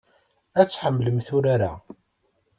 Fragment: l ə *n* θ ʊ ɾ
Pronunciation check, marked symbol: incorrect: m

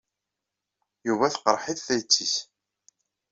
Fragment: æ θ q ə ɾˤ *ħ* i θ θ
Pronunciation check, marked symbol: correct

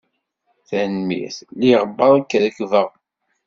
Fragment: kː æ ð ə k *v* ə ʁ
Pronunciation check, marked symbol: correct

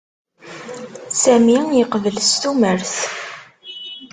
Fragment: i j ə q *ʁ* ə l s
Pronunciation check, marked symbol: incorrect: v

